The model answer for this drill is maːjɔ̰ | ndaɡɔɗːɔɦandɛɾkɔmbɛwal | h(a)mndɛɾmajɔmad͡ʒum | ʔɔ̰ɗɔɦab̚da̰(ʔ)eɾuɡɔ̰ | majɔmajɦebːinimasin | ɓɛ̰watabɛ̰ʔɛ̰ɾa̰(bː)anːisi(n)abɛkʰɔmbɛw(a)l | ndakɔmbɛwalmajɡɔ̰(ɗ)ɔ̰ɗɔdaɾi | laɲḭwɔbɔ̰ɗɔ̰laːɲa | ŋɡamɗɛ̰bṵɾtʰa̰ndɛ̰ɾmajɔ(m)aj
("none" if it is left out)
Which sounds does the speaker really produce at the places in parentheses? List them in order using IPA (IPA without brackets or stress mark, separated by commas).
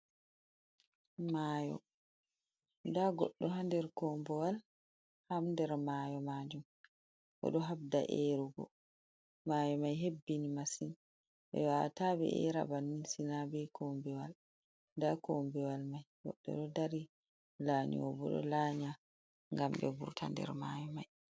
a, ʔ, b, n, a, ɗː, m